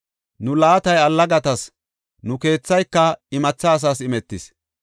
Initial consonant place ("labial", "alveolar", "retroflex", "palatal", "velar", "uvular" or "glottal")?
alveolar